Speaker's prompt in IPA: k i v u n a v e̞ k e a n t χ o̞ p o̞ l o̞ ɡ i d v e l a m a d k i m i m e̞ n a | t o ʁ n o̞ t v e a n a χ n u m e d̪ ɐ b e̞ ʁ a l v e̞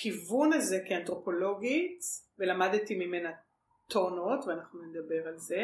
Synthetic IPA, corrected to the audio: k i v u n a z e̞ k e a n t ʁ o̞ p o̞ l o̞ ɡ i t v e l a m a d t i m i m e̞ n a | t o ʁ n o̞ t v e a n a χ n u n e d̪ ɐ b e̞ ʁ a l z e̞